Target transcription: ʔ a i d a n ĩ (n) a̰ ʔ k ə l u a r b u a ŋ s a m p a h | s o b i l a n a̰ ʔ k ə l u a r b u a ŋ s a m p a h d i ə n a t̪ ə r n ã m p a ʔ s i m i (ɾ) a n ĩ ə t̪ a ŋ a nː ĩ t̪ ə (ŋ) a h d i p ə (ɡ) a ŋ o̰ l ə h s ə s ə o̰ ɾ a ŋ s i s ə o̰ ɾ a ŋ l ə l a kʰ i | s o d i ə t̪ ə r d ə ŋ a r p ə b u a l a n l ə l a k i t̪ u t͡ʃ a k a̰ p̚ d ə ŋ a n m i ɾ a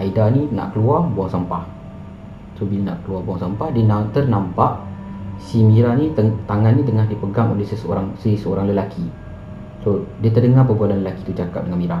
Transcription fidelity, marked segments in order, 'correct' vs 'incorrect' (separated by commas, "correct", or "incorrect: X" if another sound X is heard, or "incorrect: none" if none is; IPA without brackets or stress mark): correct, correct, correct, correct